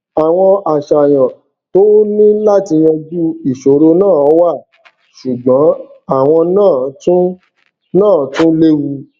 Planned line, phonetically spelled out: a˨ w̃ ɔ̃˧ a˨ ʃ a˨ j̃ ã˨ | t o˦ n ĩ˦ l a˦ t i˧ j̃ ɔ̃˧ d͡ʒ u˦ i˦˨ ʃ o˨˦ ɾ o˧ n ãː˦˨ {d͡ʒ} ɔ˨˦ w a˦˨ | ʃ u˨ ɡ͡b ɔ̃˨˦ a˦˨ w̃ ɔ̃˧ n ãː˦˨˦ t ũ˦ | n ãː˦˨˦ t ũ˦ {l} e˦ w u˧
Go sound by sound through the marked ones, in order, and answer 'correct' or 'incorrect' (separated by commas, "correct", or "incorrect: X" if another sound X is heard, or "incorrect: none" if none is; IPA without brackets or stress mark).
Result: incorrect: none, correct